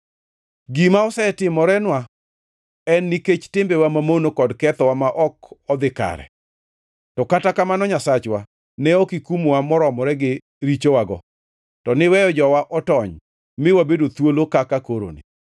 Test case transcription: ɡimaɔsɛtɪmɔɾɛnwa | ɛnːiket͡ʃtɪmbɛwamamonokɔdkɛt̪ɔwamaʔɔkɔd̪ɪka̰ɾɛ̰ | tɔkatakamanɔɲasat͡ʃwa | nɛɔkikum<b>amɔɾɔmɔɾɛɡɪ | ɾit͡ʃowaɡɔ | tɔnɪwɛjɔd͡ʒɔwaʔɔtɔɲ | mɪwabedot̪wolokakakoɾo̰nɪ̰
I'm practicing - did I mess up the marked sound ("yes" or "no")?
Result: yes